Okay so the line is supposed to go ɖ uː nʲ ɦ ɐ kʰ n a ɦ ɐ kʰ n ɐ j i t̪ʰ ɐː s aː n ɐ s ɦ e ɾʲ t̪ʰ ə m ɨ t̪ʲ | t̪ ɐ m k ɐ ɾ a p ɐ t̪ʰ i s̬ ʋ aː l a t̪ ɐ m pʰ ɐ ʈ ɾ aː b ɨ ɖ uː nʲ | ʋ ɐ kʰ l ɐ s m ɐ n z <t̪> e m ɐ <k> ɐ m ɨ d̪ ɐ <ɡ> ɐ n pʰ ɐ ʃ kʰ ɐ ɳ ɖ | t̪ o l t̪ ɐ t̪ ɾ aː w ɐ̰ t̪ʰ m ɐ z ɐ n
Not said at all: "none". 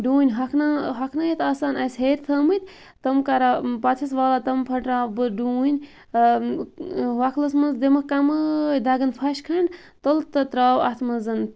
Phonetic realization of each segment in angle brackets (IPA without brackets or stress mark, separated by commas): d̪, k, ɡ